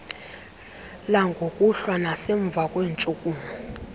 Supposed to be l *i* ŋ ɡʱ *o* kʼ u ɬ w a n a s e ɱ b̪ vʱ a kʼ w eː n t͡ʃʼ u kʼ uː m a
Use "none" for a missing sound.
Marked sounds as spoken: a, o

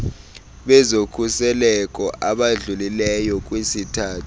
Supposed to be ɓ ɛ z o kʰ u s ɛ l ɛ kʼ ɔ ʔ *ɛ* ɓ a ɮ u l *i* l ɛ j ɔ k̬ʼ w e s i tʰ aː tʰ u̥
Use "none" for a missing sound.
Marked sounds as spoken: a, i

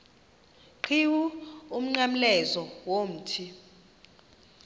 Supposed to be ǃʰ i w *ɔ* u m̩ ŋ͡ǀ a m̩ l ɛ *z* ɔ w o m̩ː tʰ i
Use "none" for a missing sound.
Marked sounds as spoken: u, z

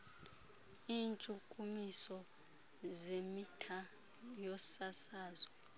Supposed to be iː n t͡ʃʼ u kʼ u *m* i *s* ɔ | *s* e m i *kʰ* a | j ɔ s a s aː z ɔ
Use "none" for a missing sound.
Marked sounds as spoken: m, s, z, tʰ

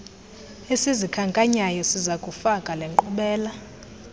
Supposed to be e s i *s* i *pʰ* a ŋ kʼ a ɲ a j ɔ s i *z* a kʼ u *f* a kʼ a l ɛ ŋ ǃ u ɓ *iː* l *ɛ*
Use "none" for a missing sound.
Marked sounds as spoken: z, kʰ, z, f, ɛː, a

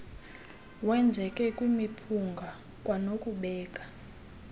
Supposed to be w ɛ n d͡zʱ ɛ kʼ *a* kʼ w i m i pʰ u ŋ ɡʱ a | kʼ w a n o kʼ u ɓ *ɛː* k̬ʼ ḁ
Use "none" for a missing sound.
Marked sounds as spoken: ɛ, ɛː

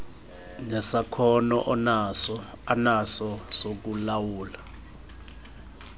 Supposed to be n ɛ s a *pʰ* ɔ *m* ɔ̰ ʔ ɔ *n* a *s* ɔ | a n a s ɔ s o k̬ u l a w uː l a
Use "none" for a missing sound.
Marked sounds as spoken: kʰ, n, n, s

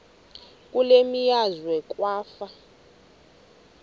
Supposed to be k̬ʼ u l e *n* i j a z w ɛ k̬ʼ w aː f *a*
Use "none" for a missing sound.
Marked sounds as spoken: m, a

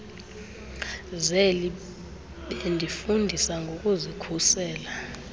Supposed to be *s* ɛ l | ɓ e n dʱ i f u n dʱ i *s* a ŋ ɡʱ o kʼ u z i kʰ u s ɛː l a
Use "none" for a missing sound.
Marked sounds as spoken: z, s

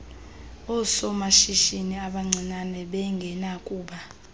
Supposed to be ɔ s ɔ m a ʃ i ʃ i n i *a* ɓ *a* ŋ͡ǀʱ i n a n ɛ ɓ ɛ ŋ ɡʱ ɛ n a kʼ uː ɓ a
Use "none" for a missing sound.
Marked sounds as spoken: a, a

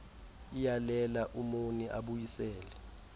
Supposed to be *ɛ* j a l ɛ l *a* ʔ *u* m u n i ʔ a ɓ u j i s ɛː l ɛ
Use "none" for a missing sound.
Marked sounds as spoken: i, a, u

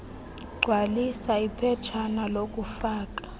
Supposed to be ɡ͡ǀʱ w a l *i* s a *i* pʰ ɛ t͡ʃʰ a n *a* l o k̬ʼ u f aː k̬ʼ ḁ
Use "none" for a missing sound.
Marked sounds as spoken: i, i, a

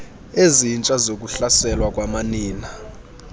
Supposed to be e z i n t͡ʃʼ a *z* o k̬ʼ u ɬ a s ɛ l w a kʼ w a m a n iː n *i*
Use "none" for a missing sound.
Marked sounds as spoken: z, a

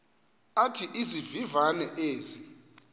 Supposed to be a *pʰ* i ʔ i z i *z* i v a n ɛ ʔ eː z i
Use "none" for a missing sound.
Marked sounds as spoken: tʰ, v

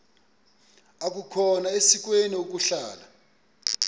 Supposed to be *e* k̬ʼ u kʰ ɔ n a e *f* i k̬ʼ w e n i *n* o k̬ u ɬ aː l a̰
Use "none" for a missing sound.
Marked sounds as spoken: a, s, none

